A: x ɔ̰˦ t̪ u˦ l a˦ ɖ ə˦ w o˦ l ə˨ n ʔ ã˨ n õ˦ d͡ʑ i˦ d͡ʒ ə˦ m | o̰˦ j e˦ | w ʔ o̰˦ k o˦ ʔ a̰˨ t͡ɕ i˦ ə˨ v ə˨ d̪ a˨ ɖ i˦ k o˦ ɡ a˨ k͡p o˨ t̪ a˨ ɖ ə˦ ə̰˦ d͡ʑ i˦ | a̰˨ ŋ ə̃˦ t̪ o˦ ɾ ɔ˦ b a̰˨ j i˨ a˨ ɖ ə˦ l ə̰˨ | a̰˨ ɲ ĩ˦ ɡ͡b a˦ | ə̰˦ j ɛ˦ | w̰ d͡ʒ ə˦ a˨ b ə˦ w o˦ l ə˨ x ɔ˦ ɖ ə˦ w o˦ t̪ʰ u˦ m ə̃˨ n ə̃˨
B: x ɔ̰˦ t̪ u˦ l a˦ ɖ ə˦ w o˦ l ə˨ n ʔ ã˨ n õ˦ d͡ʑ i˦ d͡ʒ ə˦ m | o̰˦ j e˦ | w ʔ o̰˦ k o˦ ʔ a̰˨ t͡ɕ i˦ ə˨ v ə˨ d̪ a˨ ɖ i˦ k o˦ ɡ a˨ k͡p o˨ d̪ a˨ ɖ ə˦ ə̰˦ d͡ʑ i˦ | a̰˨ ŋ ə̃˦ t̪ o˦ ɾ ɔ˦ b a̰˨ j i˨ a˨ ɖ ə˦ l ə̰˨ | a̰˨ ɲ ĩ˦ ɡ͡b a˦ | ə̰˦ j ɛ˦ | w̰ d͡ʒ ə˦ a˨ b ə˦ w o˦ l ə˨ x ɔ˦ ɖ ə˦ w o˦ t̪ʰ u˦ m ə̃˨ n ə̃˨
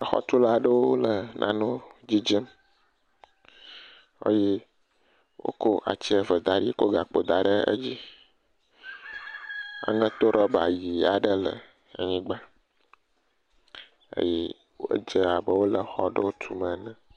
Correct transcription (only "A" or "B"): B